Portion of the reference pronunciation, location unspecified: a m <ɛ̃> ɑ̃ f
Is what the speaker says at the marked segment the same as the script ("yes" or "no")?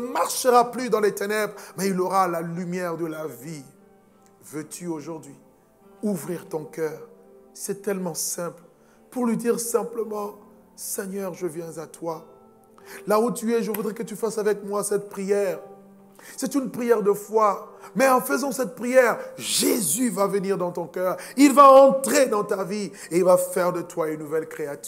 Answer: no